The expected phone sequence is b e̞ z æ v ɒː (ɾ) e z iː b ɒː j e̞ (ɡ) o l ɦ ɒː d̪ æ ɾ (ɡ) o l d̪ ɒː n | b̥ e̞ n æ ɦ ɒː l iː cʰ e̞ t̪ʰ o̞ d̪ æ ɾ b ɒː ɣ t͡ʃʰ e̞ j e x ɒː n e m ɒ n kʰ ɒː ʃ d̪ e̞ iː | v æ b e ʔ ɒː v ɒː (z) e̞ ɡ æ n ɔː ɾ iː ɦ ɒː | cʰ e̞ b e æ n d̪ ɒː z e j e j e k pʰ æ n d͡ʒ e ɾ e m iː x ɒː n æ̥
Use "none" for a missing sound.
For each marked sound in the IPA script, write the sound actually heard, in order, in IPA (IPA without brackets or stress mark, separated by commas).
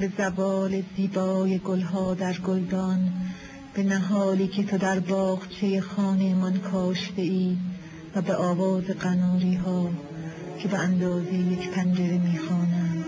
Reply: l, ɡ, ɡ, z